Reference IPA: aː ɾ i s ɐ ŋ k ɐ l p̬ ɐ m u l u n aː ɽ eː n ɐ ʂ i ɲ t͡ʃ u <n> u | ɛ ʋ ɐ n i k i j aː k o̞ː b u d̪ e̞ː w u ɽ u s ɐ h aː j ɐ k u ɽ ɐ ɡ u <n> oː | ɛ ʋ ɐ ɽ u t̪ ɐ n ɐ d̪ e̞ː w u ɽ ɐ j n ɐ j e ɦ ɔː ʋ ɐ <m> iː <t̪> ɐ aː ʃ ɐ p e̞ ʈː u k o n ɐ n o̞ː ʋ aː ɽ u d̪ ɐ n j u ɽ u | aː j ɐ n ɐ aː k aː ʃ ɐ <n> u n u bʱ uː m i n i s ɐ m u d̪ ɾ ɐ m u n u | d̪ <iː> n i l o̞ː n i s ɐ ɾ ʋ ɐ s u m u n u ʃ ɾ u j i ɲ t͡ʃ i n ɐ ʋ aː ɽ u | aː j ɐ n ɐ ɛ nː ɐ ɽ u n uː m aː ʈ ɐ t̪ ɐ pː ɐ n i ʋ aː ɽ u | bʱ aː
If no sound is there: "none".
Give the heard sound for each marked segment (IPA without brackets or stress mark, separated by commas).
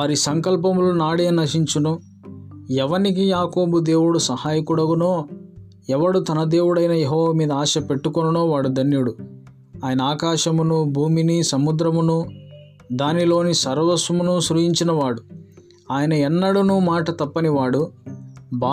n, n, m, d̪, m, aː